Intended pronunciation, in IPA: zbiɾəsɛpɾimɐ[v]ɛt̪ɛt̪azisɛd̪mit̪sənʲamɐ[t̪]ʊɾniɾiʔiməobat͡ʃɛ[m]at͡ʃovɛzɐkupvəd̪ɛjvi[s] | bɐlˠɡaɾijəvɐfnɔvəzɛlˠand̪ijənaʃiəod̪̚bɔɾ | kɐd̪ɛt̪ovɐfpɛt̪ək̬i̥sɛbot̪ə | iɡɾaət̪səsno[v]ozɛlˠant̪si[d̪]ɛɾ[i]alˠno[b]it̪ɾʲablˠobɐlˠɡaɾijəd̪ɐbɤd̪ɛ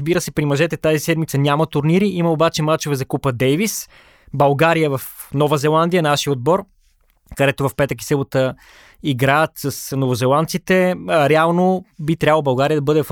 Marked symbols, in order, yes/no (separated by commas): no, yes, yes, yes, yes, no, no, yes